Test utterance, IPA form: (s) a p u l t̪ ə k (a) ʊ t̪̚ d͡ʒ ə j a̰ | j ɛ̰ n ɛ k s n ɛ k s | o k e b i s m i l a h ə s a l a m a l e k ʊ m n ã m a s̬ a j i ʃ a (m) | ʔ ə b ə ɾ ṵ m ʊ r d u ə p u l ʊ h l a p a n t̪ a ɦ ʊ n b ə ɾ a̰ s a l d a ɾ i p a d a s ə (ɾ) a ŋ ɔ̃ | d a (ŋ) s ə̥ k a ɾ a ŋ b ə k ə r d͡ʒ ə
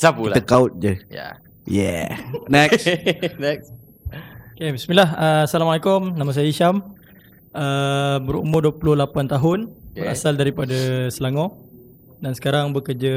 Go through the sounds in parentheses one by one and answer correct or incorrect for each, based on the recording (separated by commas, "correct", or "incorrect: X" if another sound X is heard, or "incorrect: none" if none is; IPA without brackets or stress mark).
correct, correct, correct, incorrect: l, incorrect: n